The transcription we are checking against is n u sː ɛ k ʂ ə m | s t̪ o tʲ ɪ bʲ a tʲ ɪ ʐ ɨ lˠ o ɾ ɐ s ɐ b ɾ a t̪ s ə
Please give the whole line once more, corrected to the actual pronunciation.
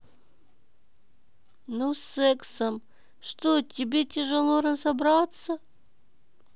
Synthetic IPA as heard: n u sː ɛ k s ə m | ʂ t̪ o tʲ ɪ bʲ e tʲ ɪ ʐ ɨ lˠ o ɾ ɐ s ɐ b ɾ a t̪ s ə